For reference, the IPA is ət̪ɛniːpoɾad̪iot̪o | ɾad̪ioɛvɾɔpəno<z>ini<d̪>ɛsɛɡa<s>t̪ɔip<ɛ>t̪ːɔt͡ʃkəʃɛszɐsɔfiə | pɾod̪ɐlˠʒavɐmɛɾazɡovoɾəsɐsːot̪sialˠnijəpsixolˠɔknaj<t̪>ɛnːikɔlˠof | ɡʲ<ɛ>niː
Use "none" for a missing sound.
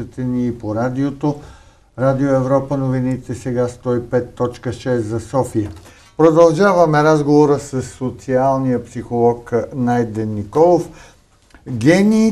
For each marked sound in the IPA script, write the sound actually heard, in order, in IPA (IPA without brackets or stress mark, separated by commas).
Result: v, t̪, s, ɛ, d̪, ɛ